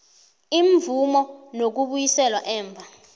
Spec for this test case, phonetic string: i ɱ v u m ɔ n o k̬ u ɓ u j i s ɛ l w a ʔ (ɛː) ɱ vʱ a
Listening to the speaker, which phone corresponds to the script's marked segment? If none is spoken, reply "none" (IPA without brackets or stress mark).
ɛː